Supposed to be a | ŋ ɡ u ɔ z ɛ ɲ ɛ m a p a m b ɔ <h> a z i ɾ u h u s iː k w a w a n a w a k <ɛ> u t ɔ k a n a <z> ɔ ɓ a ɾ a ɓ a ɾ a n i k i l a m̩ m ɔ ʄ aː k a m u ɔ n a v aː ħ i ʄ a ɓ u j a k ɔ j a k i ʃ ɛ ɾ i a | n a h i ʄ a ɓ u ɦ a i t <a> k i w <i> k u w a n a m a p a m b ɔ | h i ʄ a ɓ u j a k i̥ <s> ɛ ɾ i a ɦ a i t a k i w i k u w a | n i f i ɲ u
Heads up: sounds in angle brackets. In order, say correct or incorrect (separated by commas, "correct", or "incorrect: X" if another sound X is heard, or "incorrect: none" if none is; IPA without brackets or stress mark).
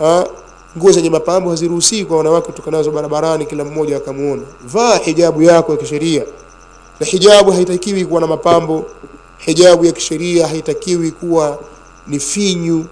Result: correct, correct, correct, correct, correct, incorrect: ʃ